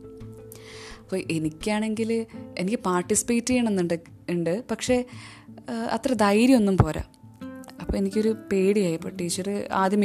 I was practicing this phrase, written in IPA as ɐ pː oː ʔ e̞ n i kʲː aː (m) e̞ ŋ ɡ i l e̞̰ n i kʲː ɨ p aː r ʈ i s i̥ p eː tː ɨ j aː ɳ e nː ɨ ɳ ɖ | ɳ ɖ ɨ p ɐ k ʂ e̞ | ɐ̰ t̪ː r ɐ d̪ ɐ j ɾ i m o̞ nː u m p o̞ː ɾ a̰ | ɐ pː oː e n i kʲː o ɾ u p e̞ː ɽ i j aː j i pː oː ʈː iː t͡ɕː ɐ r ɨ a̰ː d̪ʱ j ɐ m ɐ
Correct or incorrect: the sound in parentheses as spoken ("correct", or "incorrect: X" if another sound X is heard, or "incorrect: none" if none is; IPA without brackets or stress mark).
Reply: incorrect: ɳ